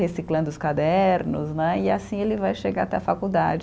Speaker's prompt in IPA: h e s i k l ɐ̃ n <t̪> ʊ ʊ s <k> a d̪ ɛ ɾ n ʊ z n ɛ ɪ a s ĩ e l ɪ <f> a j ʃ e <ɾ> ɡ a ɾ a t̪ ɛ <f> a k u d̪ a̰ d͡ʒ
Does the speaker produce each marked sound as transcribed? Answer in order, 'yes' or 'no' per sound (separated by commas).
no, yes, no, no, yes